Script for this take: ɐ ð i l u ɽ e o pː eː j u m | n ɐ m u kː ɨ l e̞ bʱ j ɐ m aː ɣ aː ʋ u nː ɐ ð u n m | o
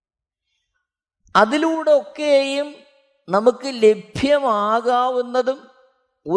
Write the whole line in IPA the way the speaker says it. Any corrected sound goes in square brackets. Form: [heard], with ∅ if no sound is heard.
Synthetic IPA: ɐ ð i l [uː] ɽ e o [kː] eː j u m | n ɐ m u kː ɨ l e̞ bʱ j ɐ m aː ɣ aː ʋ u nː ɐ ð u [∅] m | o